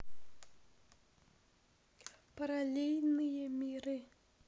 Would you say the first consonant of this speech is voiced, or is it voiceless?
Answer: voiceless